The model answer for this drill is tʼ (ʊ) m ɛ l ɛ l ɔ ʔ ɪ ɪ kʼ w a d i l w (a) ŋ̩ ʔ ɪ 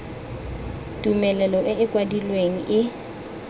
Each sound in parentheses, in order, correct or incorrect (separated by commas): incorrect, incorrect